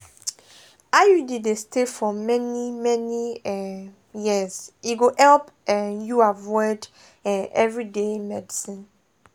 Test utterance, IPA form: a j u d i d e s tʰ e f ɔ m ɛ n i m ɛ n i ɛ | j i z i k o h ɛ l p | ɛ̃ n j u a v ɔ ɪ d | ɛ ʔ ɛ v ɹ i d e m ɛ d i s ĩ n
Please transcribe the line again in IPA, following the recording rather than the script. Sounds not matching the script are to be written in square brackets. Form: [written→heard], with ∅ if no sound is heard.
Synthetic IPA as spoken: a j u d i d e s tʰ e f ɔ m ɛ n i m ɛ n i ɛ | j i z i [k→ɡ] o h ɛ l p | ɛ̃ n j u a v ɔ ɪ d | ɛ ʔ ɛ v ɹ i d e m ɛ d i s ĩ n